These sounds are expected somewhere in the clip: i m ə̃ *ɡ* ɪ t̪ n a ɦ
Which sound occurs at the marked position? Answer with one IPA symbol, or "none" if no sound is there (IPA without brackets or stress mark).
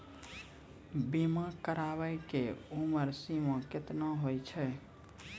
k